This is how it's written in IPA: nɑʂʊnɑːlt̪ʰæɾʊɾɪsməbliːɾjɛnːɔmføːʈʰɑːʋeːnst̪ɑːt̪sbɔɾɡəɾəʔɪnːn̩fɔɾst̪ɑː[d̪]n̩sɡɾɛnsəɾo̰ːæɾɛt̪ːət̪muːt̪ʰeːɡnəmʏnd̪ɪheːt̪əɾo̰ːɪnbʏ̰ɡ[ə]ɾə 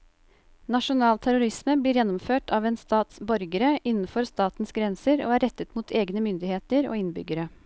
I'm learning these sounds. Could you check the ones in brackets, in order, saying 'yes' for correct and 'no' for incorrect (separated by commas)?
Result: no, yes